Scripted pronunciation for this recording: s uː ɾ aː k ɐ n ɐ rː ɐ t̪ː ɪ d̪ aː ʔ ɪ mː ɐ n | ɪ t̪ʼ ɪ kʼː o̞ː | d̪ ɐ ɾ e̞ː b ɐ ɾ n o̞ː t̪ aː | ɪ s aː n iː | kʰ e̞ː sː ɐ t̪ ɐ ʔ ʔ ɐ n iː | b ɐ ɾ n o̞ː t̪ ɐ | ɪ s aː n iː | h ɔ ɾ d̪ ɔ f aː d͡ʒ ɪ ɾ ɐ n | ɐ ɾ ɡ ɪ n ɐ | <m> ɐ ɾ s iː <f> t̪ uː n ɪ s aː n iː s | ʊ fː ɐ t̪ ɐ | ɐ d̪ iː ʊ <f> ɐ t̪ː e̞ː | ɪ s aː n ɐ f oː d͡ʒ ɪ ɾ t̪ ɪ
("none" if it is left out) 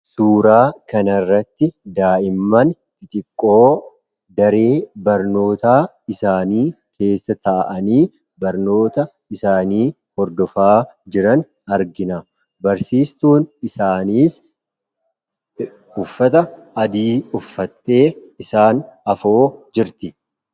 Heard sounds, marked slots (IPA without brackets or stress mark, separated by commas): b, s, fː